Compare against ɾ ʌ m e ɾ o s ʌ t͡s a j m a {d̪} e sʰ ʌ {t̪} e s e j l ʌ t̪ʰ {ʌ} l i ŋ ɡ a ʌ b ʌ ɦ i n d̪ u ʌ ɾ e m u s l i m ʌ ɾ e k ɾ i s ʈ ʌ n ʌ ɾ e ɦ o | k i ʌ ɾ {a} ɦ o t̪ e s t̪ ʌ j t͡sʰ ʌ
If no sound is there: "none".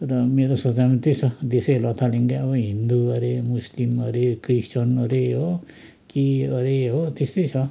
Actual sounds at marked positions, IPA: t̪, d̪, a, e

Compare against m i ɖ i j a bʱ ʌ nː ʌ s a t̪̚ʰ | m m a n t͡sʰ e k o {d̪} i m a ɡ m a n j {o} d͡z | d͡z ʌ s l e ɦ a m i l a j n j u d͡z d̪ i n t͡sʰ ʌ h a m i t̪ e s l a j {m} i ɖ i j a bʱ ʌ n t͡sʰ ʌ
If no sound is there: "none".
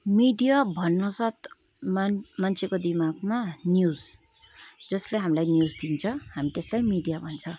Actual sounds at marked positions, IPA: d̪, u, m

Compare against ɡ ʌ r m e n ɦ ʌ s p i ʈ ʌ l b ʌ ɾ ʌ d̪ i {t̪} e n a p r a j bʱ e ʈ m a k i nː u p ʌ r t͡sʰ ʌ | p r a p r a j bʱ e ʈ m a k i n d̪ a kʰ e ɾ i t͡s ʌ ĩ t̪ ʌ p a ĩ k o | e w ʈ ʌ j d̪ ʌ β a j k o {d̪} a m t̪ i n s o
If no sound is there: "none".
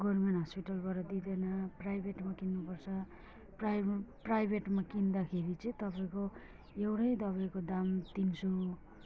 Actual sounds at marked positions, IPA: d̪, d̪

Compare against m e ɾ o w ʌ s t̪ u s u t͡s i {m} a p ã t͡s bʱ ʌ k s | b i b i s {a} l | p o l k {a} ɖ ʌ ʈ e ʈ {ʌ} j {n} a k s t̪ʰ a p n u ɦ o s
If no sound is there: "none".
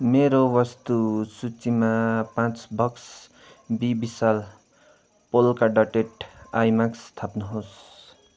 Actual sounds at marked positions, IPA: m, a, a, a, m

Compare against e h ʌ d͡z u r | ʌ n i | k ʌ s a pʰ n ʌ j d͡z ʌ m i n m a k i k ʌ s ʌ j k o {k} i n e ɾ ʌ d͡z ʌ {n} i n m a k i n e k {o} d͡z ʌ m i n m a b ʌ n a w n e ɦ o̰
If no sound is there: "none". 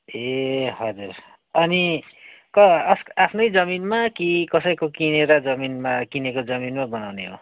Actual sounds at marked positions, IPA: k, m, o

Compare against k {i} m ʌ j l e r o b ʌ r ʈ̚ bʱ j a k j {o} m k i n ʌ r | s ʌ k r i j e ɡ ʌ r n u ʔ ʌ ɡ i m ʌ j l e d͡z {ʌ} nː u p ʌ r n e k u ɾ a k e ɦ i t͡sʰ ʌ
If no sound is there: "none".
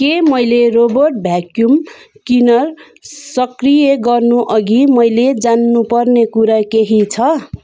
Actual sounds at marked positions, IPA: e, u, a

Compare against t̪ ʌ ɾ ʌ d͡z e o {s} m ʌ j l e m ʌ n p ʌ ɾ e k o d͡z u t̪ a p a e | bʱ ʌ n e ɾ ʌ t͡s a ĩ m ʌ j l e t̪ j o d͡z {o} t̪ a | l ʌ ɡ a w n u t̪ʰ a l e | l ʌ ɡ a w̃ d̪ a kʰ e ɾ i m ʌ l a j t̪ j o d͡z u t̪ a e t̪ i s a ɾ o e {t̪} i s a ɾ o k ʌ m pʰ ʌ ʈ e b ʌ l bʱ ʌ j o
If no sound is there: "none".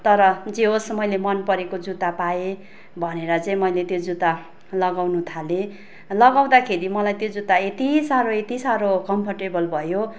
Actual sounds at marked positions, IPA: s, u, t̪

